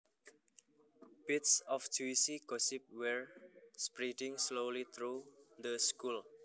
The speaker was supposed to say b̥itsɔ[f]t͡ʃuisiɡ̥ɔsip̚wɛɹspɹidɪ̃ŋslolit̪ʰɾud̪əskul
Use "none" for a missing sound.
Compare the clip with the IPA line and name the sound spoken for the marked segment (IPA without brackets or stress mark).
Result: f